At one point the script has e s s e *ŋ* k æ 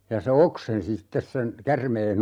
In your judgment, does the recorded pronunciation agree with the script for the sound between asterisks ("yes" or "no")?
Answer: no